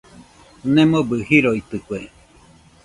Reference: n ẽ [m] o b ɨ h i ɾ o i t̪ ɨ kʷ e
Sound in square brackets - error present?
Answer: no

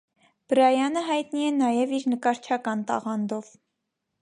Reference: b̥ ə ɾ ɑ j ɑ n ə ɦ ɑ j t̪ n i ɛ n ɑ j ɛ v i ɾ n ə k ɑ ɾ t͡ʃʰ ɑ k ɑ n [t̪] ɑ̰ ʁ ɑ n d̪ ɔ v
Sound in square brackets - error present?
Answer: no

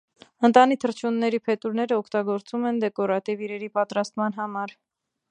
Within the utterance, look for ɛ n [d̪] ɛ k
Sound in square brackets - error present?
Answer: no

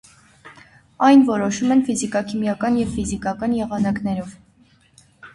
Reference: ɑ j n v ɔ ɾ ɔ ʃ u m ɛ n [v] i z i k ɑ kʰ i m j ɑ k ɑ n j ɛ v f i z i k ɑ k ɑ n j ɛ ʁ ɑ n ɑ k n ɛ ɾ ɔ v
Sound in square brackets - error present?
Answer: yes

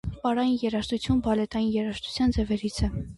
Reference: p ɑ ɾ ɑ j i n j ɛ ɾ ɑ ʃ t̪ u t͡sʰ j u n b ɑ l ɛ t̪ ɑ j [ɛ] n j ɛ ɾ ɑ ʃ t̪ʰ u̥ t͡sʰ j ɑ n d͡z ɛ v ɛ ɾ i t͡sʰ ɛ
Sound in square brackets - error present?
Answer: yes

